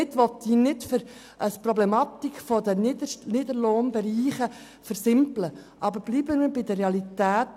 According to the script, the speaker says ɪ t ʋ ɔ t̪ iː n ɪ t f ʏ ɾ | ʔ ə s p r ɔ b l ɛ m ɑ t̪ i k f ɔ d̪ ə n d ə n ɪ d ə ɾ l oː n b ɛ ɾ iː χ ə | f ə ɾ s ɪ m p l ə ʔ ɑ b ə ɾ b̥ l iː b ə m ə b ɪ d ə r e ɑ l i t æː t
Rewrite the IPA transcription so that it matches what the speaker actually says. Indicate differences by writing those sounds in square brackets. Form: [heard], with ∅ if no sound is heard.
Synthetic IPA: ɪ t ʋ ɔ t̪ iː n ɪ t f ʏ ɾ | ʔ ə s p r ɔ b l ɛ m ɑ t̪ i k f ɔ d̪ ə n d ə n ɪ d ə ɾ l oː n b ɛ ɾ iː χ ə | f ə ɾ s ɪ m p l ə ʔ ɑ b ə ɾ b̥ l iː b ə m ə b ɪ d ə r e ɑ l i t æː t